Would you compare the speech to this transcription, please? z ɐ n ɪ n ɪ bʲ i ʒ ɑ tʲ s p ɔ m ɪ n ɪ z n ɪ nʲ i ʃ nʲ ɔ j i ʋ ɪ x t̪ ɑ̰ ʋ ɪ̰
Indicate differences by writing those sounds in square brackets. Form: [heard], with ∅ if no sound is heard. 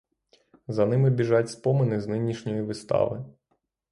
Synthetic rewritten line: z ɐ n ɪ [m] ɪ bʲ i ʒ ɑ tʲ s p ɔ m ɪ n ɪ z n ɪ nʲ i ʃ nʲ ɔ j i ʋ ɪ [s] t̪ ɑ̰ ʋ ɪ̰

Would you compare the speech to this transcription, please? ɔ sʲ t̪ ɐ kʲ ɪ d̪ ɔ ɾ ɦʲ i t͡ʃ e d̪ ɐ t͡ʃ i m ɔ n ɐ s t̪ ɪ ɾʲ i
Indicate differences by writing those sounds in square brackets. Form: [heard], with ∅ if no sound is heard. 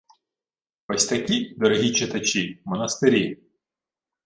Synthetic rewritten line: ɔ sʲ t̪ ɐ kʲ [i] d̪ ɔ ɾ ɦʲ i t͡ʃ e [t̪] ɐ t͡ʃ i m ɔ n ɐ s t̪ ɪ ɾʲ i

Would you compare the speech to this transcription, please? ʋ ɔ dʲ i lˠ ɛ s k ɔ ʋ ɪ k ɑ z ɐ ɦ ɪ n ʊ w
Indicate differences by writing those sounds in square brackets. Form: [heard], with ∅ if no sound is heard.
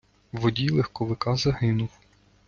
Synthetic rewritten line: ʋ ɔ dʲ i lˠ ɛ [x] k ɔ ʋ ɪ k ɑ z ɐ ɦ ɪ n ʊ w

